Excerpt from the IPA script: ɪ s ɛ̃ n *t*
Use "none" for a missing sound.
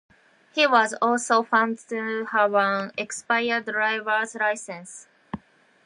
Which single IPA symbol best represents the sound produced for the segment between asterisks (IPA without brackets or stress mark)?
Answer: s